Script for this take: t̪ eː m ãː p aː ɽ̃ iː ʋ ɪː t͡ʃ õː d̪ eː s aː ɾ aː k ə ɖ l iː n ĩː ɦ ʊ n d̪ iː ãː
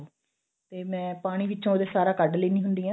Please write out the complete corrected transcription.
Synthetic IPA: t̪ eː m ɛ̃ː p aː ɽ̃ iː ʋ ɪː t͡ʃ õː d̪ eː s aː ɾ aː k ə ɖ l iː n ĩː ɦ ʊ n d̪ iː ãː